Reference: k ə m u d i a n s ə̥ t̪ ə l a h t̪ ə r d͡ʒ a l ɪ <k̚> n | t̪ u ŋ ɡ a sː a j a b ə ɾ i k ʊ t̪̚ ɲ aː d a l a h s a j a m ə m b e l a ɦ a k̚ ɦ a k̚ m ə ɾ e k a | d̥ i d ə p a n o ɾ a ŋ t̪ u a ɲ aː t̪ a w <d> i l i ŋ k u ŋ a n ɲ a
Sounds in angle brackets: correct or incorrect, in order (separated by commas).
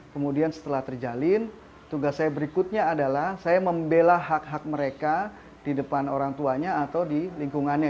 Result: incorrect, correct